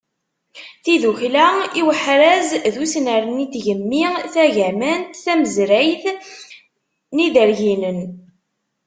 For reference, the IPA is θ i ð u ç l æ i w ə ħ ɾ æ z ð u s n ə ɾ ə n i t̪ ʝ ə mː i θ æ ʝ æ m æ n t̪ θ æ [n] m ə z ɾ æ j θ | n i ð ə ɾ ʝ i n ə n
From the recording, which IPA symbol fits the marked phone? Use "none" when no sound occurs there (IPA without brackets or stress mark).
none